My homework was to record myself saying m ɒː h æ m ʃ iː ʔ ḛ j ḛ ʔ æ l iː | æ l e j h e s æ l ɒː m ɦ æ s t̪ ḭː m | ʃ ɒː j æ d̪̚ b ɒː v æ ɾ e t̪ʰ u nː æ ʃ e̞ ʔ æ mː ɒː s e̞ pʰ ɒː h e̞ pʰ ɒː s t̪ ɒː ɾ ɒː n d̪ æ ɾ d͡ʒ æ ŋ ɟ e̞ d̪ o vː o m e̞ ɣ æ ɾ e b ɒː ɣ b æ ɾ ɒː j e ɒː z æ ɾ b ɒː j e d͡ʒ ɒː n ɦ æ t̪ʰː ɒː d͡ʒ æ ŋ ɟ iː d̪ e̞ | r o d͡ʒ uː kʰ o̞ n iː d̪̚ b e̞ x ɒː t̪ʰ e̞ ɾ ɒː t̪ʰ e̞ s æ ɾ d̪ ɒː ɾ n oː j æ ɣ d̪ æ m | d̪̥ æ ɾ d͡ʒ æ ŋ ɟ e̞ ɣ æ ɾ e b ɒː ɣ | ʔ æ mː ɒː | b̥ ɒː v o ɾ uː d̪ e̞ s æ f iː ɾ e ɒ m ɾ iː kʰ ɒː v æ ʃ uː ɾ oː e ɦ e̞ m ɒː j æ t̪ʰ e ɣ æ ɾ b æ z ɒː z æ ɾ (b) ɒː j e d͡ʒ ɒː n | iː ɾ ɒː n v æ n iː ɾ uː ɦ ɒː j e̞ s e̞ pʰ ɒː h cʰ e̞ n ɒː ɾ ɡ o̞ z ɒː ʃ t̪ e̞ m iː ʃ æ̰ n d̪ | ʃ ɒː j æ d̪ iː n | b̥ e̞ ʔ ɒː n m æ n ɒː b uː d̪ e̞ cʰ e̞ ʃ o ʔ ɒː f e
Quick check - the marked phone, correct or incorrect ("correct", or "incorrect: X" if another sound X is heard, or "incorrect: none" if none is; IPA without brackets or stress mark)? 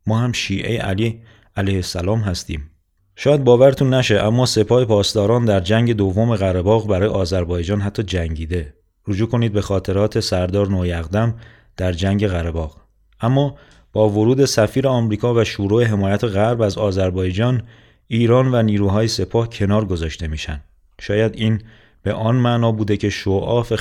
correct